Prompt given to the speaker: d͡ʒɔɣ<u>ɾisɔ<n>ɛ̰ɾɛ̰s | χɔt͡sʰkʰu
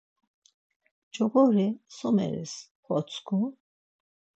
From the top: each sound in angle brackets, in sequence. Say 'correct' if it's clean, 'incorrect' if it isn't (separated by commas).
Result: incorrect, incorrect